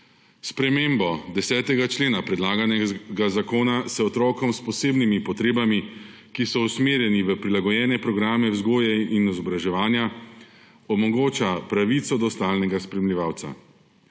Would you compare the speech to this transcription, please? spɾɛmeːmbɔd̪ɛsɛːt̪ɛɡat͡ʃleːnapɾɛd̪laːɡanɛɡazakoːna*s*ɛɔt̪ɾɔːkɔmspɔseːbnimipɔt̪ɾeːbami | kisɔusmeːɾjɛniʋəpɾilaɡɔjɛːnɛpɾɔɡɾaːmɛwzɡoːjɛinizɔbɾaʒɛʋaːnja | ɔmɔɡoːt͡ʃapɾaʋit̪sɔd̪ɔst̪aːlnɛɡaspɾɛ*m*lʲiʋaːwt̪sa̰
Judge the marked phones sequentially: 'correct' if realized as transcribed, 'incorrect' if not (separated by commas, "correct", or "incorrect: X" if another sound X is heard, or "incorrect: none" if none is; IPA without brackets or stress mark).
correct, correct